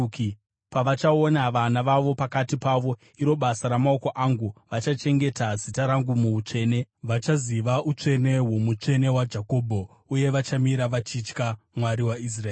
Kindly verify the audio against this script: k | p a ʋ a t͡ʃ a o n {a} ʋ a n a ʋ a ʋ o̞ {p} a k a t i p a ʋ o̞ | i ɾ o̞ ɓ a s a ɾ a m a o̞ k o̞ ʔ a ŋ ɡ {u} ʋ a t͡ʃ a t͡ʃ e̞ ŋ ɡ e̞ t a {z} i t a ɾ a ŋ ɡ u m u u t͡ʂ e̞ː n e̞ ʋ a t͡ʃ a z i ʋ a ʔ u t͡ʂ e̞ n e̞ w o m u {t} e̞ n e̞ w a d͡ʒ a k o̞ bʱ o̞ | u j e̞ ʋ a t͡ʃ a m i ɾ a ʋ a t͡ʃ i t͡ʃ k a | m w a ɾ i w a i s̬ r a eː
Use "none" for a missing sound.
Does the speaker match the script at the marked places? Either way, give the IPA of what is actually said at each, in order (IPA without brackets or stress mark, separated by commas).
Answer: a, p, u, z, t͡ʂ